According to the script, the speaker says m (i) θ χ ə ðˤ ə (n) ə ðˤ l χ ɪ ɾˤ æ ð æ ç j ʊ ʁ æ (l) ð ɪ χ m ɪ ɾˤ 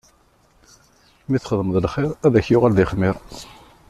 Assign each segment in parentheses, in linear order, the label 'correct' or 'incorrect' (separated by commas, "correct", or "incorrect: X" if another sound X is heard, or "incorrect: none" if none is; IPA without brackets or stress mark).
correct, incorrect: m, correct